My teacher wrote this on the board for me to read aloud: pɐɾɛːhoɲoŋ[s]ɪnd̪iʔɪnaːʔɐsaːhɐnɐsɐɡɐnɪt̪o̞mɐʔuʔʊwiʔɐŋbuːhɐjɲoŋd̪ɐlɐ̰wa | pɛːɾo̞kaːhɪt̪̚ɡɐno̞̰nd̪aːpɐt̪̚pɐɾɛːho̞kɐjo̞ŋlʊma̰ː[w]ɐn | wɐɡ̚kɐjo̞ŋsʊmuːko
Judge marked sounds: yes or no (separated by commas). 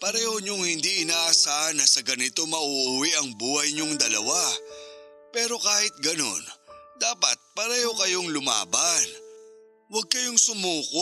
no, no